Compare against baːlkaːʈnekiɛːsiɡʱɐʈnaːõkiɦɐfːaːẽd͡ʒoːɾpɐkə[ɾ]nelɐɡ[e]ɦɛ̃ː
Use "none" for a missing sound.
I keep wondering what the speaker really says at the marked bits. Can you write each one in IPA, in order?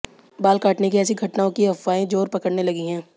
ɽ, i

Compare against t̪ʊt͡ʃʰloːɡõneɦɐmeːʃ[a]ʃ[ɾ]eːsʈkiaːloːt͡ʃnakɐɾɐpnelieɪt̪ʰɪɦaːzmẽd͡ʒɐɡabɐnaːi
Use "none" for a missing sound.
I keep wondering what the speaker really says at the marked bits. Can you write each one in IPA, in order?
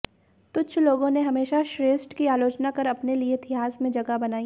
a, ɾ

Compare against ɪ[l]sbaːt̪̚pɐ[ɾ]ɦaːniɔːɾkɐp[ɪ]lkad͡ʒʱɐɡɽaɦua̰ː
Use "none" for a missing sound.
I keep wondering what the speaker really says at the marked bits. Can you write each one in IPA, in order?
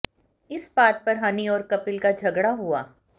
none, ɾ, ɪ

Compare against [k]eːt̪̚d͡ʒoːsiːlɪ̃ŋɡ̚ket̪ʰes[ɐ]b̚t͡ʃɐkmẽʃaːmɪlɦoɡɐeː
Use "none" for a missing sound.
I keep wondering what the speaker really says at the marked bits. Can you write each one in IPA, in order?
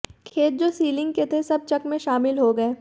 kʰ, ɐ

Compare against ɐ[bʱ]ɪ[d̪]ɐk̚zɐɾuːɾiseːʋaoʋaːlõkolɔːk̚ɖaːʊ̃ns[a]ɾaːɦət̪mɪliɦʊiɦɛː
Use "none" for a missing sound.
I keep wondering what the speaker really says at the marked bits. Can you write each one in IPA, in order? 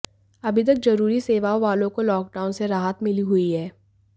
bʱ, t̪, e

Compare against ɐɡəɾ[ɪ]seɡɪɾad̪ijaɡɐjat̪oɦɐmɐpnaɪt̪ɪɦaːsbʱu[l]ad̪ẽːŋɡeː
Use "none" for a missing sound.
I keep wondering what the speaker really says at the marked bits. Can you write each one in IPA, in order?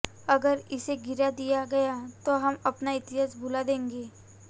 ɪ, l

